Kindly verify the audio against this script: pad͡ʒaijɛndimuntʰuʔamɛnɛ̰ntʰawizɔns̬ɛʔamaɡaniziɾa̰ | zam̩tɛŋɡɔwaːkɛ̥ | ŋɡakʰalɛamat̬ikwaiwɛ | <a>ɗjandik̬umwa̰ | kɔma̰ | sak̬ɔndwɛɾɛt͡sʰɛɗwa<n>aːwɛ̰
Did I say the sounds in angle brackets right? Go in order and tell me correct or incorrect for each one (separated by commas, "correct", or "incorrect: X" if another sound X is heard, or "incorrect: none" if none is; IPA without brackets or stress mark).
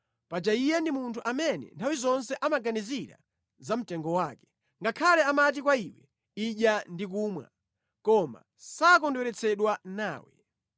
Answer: incorrect: i, correct